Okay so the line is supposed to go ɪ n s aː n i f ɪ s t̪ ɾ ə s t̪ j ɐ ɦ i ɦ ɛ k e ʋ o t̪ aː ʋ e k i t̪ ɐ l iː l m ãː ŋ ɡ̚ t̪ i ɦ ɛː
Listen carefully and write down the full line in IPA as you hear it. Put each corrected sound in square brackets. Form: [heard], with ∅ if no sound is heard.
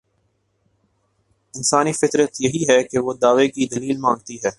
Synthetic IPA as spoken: ɪ n s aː n i f ɪ [∅] t̪ ɾ ə [∅] t̪ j ɐ ɦ i ɦ ɛ k e ʋ o [d̪] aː ʋ e k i [d̪] ɐ l iː l m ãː ŋ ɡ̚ t̪ i ɦ ɛː